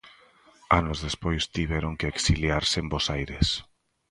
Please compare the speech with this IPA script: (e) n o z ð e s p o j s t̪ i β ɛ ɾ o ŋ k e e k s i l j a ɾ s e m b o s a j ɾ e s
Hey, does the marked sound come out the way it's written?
no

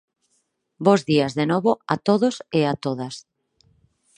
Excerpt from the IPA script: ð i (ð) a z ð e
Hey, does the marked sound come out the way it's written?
no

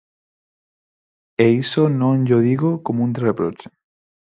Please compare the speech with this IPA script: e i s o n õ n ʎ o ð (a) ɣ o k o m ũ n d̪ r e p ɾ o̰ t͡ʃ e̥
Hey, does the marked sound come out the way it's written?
no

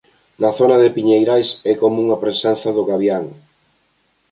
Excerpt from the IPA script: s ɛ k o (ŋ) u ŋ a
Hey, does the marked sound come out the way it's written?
no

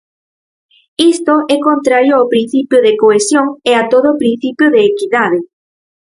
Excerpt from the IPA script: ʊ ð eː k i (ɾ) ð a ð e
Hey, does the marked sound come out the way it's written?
no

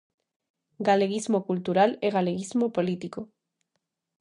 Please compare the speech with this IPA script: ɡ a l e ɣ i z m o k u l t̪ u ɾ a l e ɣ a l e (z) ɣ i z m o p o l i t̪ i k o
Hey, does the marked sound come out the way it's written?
no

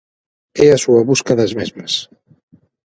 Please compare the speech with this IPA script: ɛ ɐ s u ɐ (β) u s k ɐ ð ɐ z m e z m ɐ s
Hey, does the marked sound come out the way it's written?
yes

